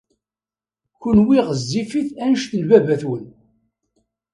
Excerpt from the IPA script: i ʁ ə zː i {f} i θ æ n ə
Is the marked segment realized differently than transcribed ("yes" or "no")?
no